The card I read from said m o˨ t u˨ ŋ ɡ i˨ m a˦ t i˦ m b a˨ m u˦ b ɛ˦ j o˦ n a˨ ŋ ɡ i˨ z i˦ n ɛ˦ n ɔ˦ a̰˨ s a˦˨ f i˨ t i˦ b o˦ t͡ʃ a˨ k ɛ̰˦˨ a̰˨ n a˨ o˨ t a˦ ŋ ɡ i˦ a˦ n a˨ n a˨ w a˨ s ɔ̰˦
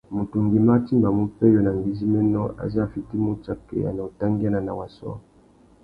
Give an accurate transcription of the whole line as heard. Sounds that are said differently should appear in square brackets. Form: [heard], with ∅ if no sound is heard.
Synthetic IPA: m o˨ t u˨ ŋ ɡ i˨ m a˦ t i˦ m b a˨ m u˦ [p] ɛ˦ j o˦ n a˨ ŋ ɡ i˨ z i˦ [m] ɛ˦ n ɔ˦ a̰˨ [z] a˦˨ f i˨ t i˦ [m] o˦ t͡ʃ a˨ k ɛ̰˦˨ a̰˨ n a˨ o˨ t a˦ ŋ ɡ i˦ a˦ n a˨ n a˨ w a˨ s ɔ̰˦